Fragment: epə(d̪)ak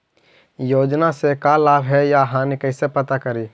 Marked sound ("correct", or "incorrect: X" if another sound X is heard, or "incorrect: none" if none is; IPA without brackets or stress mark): incorrect: t̪